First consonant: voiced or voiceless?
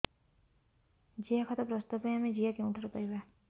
voiced